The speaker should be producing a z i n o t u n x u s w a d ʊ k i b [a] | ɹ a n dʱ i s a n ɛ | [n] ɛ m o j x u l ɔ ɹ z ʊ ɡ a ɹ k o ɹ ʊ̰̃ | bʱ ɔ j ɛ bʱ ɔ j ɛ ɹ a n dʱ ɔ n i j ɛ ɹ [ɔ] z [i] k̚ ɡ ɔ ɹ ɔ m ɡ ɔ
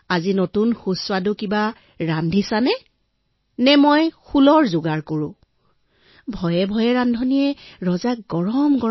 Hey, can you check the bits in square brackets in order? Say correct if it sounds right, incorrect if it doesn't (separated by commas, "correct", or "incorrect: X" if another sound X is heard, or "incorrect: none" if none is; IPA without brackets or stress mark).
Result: correct, correct, correct, incorrect: a